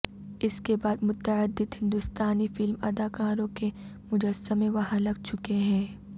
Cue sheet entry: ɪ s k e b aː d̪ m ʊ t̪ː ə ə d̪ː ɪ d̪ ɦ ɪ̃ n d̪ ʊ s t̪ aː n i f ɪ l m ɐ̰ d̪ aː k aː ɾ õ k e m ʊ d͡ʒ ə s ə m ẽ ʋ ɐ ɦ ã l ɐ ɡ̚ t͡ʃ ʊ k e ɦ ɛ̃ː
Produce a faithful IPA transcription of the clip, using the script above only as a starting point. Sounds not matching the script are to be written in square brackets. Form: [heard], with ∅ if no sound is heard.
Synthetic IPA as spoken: ɪ s k e b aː d̪ m ʊ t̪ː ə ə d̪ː ɪ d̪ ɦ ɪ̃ n d̪ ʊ s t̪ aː n i f ɪ l m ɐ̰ d̪ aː k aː ɾ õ k e m ʊ d͡ʒ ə s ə m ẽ ʋ ɐ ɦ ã l ɐ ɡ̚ t͡ʃ ʊ k e ɦ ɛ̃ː